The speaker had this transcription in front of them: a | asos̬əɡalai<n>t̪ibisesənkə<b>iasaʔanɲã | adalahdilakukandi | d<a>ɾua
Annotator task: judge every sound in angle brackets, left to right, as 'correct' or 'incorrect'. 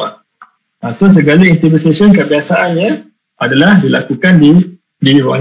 correct, correct, incorrect: i

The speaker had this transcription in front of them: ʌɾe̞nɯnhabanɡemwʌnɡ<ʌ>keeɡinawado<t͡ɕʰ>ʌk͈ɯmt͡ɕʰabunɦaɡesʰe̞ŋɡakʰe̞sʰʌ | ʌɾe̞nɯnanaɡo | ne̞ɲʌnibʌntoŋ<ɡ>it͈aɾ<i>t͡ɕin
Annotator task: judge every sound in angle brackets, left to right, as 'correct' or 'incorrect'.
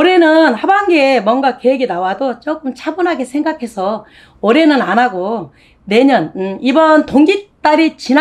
incorrect: a, incorrect: t͡ɕ, correct, correct

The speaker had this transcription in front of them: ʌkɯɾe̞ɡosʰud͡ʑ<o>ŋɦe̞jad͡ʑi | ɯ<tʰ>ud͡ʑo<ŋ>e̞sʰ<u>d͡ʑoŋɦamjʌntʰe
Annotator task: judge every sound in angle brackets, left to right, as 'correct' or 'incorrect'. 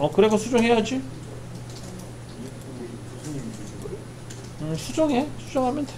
correct, incorrect: sʰ, correct, correct

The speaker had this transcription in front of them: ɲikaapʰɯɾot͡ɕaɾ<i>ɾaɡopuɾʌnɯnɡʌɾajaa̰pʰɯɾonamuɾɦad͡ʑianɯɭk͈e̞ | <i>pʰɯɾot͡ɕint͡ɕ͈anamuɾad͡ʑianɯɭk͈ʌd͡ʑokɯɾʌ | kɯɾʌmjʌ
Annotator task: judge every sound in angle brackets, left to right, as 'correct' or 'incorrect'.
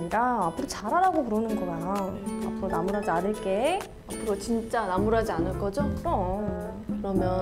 incorrect: a, incorrect: a

